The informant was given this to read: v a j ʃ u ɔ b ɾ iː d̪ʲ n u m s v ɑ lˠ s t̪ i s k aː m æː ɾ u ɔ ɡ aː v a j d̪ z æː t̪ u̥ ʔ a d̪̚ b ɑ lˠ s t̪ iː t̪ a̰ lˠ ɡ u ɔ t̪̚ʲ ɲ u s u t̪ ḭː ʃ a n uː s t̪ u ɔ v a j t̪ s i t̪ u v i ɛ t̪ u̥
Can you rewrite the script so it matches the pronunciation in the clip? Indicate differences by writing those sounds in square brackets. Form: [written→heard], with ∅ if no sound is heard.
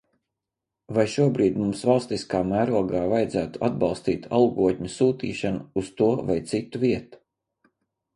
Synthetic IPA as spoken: v a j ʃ u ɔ b ɾ iː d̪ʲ [n→m] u m s v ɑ lˠ s t̪ i s k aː m æː ɾ u ɔ ɡ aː v a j d̪ z æː t̪ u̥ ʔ a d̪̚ b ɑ lˠ s t̪ iː t̪ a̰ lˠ ɡ u ɔ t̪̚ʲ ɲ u s [u→uː] t̪ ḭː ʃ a n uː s t̪ u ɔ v a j t̪ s i t̪ u v i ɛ t̪ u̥